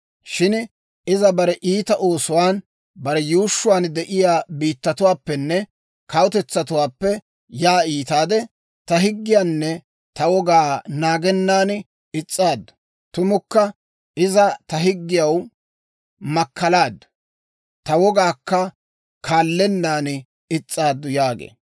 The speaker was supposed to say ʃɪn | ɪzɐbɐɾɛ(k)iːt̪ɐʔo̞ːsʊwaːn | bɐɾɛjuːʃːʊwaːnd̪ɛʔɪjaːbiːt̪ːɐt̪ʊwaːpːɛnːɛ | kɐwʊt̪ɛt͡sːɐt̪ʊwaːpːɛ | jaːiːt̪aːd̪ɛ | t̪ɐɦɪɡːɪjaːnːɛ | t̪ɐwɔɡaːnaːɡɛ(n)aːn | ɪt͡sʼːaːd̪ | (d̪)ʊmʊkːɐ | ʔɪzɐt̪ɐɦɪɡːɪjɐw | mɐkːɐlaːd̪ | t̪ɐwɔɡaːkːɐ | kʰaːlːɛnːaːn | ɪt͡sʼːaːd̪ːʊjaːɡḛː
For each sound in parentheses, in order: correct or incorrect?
incorrect: ʔ, incorrect: nː, incorrect: t̪

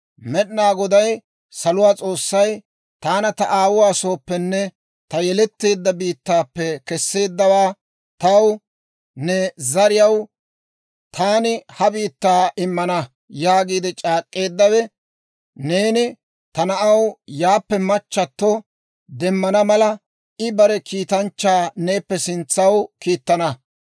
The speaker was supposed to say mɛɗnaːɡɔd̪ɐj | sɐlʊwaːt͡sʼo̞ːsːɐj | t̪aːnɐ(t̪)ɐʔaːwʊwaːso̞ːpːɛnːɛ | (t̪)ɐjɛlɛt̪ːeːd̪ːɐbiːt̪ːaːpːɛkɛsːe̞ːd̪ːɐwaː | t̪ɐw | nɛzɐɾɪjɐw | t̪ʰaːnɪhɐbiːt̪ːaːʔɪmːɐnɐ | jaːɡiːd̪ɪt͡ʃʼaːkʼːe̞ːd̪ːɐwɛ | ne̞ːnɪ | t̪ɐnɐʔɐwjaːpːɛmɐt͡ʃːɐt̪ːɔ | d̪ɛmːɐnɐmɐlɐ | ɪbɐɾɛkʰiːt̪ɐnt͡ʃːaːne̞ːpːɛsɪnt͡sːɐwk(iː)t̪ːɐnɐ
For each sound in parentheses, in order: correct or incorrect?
correct, correct, correct

